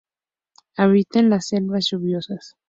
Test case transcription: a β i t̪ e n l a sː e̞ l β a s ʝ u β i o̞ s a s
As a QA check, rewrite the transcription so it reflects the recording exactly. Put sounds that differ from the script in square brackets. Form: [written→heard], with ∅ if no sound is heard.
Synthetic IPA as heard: a β i t̪ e n l a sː e̞ l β a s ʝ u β [i→j] o̞ s a s